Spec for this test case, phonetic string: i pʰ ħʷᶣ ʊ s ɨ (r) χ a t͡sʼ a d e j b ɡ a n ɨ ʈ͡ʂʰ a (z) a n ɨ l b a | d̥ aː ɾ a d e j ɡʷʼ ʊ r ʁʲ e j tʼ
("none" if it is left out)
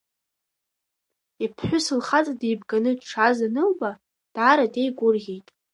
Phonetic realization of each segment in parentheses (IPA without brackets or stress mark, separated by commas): l, z